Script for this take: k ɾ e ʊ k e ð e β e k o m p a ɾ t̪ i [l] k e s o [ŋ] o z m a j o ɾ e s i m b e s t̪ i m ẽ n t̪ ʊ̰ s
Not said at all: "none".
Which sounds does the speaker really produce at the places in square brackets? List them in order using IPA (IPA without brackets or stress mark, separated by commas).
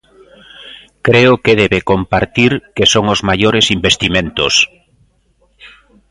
ɾ, ŋ